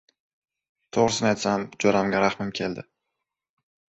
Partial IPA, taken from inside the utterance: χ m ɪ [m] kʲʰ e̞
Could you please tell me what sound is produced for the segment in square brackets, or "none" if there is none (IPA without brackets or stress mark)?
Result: m